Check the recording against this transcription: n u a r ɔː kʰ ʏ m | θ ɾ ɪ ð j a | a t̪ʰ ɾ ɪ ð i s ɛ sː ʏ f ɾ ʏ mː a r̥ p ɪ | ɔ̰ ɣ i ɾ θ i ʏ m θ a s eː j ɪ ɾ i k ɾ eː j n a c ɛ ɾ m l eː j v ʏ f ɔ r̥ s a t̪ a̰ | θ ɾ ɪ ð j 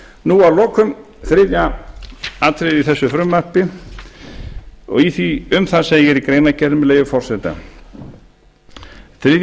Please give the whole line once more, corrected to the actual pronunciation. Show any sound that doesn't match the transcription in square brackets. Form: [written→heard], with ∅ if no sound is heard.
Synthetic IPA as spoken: n u a [r→l] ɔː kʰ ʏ m | θ ɾ ɪ ð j a | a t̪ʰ ɾ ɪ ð i [s→θ] ɛ sː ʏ f ɾ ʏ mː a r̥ p ɪ | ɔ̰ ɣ i [ɾ→∅] θ i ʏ m θ a s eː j ɪ ɾ i k ɾ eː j n a c ɛ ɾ m l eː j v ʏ f ɔ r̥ s [a→ɛ] t̪ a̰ | θ ɾ ɪ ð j